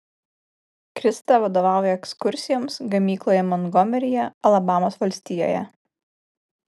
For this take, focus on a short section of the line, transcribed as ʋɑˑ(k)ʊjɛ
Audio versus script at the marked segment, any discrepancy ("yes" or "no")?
yes